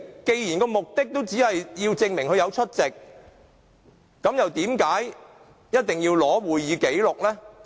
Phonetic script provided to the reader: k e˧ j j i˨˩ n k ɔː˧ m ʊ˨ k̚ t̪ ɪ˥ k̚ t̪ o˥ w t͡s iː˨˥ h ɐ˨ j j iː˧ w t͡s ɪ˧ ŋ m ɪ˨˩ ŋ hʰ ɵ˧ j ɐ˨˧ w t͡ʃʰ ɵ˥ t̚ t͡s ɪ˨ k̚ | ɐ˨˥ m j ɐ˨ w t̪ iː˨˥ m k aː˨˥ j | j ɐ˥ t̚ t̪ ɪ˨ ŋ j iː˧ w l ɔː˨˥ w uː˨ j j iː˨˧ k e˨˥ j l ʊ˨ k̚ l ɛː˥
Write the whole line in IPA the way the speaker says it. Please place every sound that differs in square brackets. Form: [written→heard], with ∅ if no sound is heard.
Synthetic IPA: k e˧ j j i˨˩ n k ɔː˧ m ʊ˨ k̚ t̪ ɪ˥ k̚ t̪ o˥ w t͡s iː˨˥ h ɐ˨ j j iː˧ w t͡s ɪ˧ ŋ m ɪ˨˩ ŋ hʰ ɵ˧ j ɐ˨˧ w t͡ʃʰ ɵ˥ t̚ t͡s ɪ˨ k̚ | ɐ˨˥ m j ɐ˨ w t̪ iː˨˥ m k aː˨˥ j | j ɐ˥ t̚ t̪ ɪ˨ ŋ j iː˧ w l ɔː˨˥ w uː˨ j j iː˨˧ k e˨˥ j l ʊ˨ k̚ l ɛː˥

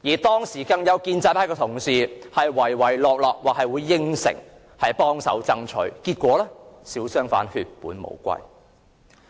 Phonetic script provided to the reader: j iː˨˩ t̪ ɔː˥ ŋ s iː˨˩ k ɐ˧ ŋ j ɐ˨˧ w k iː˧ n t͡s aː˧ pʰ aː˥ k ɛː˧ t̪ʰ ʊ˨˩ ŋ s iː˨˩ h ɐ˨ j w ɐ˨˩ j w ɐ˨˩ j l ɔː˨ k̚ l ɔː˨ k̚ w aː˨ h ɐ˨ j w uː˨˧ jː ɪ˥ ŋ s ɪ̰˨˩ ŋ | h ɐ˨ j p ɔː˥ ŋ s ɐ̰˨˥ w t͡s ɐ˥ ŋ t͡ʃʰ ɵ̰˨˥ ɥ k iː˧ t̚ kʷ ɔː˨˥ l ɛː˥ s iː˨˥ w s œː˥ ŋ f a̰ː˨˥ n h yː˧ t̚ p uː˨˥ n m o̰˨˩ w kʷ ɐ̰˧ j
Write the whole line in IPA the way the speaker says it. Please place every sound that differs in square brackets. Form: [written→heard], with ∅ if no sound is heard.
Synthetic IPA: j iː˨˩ t̪ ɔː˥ ŋ s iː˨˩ k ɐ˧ ŋ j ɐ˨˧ w k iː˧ n t͡s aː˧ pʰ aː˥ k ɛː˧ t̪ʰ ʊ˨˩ ŋ s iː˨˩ h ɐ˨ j w ɐ˨˩ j w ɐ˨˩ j l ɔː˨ k̚ l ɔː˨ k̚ w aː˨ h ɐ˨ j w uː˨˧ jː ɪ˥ ŋ s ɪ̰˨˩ ŋ | h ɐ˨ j p ɔː˥ ŋ s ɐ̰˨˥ w t͡s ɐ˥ ŋ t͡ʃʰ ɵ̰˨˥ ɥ k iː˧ t̚ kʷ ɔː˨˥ l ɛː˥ s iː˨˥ w s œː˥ ŋ f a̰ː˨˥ n h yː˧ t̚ p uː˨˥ n m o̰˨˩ w kʷ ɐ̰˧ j

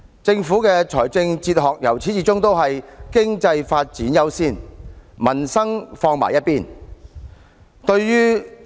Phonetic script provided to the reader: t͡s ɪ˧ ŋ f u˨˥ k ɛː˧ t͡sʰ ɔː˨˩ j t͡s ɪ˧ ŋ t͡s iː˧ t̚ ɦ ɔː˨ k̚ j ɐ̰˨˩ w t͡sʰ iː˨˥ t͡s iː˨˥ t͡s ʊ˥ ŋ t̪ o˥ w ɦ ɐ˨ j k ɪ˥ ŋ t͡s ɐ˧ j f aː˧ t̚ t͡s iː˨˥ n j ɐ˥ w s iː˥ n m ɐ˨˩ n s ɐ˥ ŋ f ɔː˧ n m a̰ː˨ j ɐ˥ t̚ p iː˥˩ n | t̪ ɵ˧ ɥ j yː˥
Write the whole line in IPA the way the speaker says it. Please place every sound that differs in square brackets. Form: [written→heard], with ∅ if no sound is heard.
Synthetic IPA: t͡s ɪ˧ ŋ f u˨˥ k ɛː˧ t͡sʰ ɔː˨˩ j t͡s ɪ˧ ŋ t͡s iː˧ t̚ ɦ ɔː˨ k̚ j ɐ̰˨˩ w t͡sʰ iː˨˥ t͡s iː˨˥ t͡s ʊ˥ ŋ t̪ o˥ w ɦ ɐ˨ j k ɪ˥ ŋ t͡s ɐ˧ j f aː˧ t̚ t͡s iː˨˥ n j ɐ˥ w s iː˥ n m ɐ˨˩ n s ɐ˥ ŋ f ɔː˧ [n→ŋ] m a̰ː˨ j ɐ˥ t̚ p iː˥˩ n | t̪ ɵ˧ ɥ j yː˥

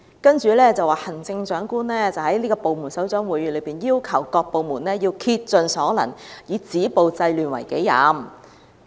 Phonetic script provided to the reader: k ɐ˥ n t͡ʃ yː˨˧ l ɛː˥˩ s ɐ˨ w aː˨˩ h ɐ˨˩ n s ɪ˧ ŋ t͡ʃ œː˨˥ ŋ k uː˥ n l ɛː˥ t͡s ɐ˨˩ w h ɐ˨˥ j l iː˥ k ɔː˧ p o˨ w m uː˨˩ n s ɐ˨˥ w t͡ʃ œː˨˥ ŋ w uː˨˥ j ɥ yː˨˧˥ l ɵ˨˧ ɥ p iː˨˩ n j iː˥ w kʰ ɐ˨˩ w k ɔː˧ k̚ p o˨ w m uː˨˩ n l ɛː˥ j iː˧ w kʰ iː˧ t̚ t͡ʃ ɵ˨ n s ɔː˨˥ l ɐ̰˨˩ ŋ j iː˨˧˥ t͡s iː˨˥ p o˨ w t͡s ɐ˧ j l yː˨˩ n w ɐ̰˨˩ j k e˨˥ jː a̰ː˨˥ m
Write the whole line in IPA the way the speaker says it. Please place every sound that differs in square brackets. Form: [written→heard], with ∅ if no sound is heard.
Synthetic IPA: k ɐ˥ n t͡ʃ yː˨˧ l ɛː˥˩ [s→t͡s] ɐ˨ w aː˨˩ h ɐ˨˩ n [s→t͡s] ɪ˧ ŋ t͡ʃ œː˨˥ ŋ k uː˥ n l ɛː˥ t͡s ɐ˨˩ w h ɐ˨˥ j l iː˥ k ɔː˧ p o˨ w m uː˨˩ n s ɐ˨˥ w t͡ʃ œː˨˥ ŋ w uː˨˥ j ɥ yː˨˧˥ l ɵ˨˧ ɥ p iː˨˩ n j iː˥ w kʰ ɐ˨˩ w k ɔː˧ k̚ p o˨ w m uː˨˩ n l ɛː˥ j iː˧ w kʰ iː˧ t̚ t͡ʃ ɵ˨ n s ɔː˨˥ l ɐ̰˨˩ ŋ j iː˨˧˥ t͡s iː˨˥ p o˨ w t͡s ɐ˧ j l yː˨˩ n w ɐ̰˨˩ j k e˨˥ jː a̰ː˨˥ m

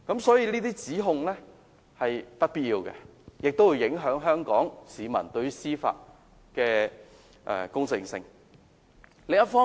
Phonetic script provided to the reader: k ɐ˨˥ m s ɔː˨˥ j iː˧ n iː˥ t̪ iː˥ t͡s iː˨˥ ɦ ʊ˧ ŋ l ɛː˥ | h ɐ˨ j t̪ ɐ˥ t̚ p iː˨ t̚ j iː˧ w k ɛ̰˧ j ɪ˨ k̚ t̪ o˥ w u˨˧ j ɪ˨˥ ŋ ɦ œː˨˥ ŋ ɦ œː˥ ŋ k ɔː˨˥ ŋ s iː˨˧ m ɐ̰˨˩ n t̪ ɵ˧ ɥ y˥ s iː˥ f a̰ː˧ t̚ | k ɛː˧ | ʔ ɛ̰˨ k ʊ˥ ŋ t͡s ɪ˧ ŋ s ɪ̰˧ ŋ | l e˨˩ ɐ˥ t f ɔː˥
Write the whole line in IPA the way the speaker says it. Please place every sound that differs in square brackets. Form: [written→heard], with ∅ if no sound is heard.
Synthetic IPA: k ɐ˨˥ m s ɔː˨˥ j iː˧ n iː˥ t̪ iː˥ t͡s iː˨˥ ɦ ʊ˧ ŋ l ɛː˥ | h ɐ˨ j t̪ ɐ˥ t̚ p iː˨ t̚ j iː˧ w k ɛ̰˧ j ɪ˨ k̚ t̪ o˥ w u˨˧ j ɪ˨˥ ŋ ɦ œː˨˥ ŋ ɦ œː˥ ŋ k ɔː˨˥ ŋ s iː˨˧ m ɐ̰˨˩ n t̪ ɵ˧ ɥ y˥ s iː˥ f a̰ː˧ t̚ | k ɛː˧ | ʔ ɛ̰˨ k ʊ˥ ŋ t͡s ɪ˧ ŋ s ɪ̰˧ ŋ | l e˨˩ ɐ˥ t f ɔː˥

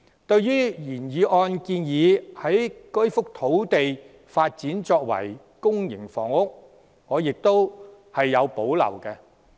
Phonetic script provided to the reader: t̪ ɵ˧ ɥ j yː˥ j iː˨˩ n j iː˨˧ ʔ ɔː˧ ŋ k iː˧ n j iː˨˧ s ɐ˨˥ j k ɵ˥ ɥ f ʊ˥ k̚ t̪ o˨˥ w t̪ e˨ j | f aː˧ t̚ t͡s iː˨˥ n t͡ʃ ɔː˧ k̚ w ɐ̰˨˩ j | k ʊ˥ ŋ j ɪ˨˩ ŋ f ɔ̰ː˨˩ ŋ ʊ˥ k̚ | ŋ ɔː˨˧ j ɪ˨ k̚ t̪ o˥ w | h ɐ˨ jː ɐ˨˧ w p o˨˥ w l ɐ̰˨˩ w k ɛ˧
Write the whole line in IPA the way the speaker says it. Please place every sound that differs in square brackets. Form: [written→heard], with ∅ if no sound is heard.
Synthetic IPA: t̪ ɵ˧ ɥ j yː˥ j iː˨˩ n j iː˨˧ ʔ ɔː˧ [ŋ→n] k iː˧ n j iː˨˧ [s→h] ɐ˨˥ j k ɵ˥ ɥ f ʊ˥ k̚ [t̪→t̪ʰ] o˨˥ w t̪ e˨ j | f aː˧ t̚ t͡s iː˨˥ n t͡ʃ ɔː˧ k̚ w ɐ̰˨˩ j | k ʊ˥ ŋ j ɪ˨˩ ŋ f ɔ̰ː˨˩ ŋ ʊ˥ k̚ | ŋ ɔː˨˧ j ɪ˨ k̚ t̪ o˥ w | h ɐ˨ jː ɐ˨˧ w p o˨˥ w l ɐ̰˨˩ w k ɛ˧

